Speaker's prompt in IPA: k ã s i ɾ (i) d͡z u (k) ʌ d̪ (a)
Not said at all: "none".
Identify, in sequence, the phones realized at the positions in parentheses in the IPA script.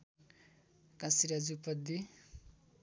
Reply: a, p, i

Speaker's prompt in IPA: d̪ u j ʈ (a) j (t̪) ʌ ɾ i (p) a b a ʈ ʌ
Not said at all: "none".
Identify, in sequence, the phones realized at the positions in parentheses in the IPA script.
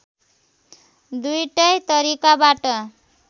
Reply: ʌ, t̪, k

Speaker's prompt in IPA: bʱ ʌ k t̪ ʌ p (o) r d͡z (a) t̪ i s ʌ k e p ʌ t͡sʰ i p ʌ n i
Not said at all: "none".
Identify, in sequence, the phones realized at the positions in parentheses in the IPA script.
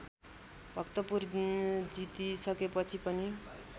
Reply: u, i

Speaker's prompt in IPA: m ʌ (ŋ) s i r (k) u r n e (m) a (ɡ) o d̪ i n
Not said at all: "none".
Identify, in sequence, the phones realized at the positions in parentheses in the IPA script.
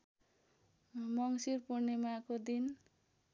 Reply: ŋ, p, m, k

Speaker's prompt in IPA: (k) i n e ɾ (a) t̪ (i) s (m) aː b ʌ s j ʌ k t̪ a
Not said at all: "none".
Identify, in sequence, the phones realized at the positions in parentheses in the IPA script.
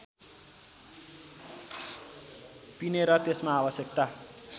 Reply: p, ʌ, e, m

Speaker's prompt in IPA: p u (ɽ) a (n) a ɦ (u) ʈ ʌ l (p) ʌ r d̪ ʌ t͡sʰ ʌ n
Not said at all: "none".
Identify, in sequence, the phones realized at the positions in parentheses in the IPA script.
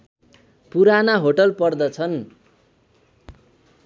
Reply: ɾ, n, o, p

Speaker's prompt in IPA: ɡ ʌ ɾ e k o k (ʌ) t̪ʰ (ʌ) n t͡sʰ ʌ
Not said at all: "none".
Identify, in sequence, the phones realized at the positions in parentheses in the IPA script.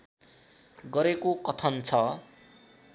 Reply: ʌ, ʌ

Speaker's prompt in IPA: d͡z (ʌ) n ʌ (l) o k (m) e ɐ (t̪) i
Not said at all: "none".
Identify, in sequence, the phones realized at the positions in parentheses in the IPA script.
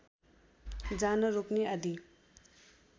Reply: a, ɾ, n, d̪

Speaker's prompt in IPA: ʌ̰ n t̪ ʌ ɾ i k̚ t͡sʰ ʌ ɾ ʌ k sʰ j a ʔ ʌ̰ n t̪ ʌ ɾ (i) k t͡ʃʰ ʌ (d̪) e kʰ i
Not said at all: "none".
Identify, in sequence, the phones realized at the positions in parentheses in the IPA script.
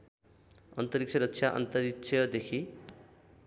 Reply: i, d̪

